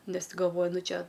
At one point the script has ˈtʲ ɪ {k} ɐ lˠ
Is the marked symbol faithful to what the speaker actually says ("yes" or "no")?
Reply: no